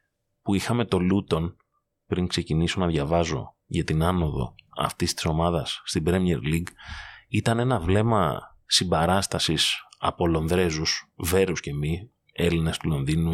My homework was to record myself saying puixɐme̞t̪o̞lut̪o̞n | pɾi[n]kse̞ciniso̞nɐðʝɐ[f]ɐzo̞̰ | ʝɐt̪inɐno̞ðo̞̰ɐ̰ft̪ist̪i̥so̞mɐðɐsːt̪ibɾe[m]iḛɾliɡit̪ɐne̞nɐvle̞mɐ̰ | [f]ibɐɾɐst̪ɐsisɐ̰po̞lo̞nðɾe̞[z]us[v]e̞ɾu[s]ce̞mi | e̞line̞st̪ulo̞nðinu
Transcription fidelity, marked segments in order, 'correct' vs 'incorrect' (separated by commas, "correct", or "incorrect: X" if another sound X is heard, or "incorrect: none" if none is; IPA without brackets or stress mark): incorrect: ŋ, incorrect: v, correct, incorrect: s, correct, correct, correct